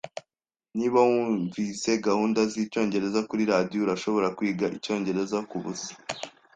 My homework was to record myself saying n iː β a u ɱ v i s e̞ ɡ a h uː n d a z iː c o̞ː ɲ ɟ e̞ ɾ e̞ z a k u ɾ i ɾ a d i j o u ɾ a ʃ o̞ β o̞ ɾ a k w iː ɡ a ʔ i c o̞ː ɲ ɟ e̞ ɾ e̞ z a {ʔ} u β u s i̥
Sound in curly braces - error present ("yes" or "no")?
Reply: yes